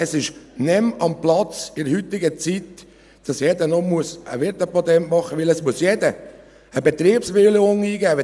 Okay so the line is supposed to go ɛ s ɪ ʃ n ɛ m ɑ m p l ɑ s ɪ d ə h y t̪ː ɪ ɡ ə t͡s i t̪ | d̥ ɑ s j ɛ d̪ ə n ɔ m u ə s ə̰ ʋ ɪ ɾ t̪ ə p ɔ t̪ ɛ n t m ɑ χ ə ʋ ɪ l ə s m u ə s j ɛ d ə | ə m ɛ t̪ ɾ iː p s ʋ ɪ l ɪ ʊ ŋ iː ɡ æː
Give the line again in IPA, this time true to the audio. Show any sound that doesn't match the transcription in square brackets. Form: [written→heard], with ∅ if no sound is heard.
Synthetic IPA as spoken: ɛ s ɪ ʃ n ɛ m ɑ m p l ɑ [s→t͡s] ɪ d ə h y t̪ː ɪ ɡ ə t͡s i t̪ | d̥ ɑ s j ɛ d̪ ə n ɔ m u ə s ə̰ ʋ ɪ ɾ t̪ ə p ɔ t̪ ɛ n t m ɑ χ ə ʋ ɪ l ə s m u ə s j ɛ d ə | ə [m→b] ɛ t̪ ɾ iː p s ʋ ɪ l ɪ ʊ ŋ iː ɡ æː